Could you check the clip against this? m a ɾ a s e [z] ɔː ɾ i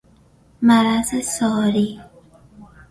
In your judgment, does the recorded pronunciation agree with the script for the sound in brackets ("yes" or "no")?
no